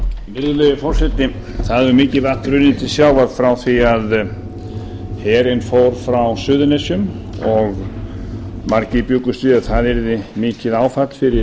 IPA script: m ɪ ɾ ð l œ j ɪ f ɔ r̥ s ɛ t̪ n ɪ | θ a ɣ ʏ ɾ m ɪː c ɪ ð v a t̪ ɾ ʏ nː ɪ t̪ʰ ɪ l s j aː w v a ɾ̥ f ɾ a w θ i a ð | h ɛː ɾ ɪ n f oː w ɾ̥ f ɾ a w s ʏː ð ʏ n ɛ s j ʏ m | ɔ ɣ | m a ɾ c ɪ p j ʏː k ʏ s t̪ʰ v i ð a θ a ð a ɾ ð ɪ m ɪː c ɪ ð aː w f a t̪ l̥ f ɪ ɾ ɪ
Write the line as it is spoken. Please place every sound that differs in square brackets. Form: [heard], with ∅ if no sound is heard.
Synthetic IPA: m ɪ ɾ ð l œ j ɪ f ɔ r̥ s ɛ t̪ n ɪ | θ a [ð] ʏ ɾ m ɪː c ɪ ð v a t̪ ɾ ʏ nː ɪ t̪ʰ ɪ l s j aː w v a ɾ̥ f ɾ a w θ i a ð | h ɛː ɾ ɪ n f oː w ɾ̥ f ɾ a w s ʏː ð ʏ n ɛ s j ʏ m | ɔ ɣ | m a ɾ c ɪ p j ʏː k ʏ s [t̪] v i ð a θ a ð [ɛ] ɾ ð ɪ m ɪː c ɪ ð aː w f a t̪ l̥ f ɪ ɾ ɪ

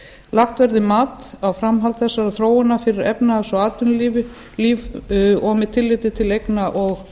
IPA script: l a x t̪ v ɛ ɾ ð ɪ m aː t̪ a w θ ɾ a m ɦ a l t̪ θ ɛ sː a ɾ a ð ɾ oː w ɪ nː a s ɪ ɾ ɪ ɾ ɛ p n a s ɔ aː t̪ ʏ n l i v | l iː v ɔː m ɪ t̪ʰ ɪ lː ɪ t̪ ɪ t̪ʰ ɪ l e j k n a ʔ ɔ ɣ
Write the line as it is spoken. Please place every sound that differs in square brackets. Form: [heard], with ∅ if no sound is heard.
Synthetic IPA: l a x t̪ v ɛ ɾ ð ɪ m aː t̪ a w [f] ɾ a m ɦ a l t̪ θ ɛ sː a ɾ a [θ] ɾ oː w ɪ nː a [f] ɪ ɾ ɪ ɾ ɛ p n a s ɔ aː t̪ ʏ n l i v | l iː v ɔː m ɪ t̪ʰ ɪ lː ɪ t̪ ɪ t̪ʰ ɪ l e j k n a ʔ ɔ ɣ

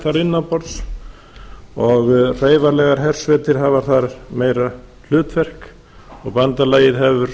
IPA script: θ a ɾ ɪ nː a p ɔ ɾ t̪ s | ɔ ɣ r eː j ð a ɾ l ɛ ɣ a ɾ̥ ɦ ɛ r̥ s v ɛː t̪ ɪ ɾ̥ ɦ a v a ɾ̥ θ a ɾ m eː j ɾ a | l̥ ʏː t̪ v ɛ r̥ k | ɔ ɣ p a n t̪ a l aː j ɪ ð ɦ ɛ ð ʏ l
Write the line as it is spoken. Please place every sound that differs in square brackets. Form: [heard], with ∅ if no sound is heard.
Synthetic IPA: θ a ɾ ɪ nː a p ɔ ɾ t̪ s | ɔ ɣ r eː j [v] a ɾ l ɛ ɣ a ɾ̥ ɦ ɛ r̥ s v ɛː t̪ ɪ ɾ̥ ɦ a v a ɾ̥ θ a ɾ m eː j ɾ a | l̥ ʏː t̪ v ɛ r̥ k | ɔ ɣ p a n t̪ a l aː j ɪ ð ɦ ɛ [v] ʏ [ɾ]

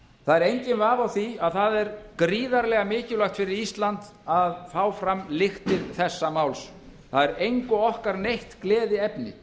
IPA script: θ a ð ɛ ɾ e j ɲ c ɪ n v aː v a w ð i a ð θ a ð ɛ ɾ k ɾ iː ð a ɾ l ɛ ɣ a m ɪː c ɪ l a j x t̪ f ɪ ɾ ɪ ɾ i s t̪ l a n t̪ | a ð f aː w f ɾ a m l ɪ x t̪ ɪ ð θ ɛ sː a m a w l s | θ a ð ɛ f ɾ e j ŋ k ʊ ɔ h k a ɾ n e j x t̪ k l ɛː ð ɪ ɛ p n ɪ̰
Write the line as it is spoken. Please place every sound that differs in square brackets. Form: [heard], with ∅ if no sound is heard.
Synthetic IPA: θ a ð ɛ ɾ e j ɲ c ɪ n v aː v a w [θ] i a ð θ a ð ɛ ɾ k ɾ iː ð a ɾ l ɛ ɣ a m ɪː c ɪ l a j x t̪ f ɪ ɾ ɪ ɾ i s t̪ l a n t̪ | a ð f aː w f ɾ a m l ɪ x t̪ ɪ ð θ ɛ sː a m a w l s | θ a ð ɛ [∅] ɾ e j ŋ k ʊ ɔ h k a ɾ n e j [h] t̪ k l ɛː ð ɪ ɛ p n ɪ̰

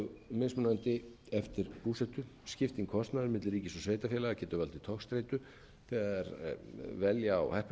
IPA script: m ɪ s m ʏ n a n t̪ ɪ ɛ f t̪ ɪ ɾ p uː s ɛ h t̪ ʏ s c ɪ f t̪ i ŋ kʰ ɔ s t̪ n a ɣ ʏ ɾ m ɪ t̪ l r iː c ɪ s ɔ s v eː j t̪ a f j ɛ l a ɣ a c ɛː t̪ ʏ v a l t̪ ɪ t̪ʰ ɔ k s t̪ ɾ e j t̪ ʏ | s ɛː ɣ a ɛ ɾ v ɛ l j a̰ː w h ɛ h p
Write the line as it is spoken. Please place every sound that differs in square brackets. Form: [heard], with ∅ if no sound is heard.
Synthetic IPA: m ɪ s m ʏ n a n t̪ ɪ ɛ f t̪ ɪ ɾ p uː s ɛ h t̪ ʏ s c ɪ f t̪ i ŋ kʰ ɔ s t̪ n a [ð] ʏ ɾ m ɪ t̪ l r iː c ɪ s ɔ s v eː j t̪ a f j ɛ l a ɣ a c ɛː t̪ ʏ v a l t̪ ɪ t̪ʰ ɔ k s t̪ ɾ e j t̪ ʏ | [θ] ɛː ɣ a ɛ ɾ v ɛ l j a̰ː w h ɛ h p

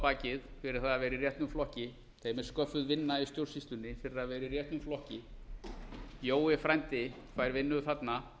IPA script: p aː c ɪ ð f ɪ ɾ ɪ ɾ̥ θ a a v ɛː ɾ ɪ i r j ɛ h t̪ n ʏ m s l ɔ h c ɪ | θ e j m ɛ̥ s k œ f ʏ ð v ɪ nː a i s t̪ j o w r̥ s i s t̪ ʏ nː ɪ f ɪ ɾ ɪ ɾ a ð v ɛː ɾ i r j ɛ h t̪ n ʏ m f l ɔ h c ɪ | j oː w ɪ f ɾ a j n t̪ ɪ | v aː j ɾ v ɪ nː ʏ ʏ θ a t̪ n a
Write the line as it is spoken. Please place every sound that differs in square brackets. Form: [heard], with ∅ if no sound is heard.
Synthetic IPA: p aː c ɪ ð f ɪ ɾ ɪ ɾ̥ θ a a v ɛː ɾ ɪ i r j ɛ h t̪ n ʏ m [f] l ɔ h c ɪ | θ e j m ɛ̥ s k œ f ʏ ð v ɪ nː a i s t̪ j o w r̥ s i s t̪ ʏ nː ɪ f ɪ ɾ ɪ ɾ a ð v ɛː ɾ i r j ɛ h t̪ n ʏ m f l ɔ h c ɪ | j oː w ɪ f ɾ a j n t̪ ɪ | [f] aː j ɾ v ɪ nː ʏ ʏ θ a t̪ n a

